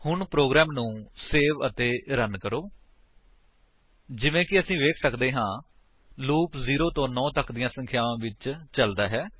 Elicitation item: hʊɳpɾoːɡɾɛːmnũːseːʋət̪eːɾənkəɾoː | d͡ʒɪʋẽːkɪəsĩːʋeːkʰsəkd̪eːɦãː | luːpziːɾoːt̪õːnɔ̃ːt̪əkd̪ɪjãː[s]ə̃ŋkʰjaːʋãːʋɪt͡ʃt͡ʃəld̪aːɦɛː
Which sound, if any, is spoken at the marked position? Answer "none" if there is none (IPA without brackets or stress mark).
s